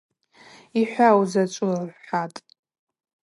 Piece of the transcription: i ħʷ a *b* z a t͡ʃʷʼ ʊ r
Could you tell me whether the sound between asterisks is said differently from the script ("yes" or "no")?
yes